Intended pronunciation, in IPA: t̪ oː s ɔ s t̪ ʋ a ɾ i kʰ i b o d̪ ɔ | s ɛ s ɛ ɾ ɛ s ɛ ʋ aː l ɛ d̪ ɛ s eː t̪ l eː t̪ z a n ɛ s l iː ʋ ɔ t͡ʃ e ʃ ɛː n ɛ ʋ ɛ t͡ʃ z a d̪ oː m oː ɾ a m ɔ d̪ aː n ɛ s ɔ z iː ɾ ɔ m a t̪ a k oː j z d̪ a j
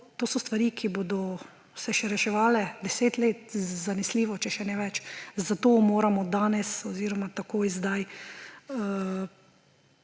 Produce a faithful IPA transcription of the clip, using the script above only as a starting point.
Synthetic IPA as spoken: t̪ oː s ɔ s t̪ ʋ a ɾ i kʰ i b o d̪ ɔ | s ɛ ʃ ɛ ɾ ɛ ʃ ɛ ʋ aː l ɛ d̪ ɛ s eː t̪ l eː t̪ z a n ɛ s l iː ʋ ɔ t͡ʃ ɛ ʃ ɛ n ɛ ʋ ɛ t͡ʃ z a t̪ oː m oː ɾ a m ɔ d̪ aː n ɛ s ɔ z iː ɾ ɔ m a t̪ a k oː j z d̪ a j